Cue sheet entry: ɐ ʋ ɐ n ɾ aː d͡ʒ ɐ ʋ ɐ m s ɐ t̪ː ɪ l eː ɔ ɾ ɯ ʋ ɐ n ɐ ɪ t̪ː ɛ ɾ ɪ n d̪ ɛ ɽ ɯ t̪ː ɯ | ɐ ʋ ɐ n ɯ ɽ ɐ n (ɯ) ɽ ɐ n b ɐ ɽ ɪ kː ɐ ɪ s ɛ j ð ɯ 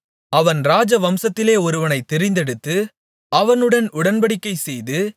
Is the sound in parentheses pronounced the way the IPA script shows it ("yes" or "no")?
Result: no